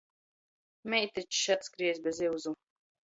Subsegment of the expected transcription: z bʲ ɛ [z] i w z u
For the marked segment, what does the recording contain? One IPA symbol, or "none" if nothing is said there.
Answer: z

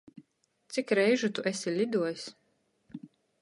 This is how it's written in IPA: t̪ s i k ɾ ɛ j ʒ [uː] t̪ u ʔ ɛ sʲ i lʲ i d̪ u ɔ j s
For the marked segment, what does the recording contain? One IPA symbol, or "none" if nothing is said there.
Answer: u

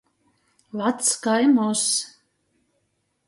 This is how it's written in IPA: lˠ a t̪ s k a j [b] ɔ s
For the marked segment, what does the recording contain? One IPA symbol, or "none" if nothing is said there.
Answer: m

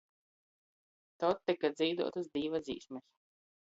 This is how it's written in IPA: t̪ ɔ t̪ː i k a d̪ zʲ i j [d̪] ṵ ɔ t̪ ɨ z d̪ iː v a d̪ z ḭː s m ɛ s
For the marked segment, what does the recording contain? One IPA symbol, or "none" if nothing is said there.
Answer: d̪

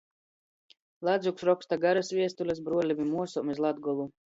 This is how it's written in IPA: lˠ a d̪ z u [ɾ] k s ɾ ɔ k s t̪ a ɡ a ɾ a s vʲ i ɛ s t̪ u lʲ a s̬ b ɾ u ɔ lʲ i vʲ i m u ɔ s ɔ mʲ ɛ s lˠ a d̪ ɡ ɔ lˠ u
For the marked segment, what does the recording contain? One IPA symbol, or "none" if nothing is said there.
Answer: none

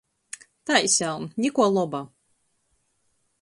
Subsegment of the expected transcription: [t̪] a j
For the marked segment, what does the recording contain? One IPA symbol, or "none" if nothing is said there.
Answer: t̪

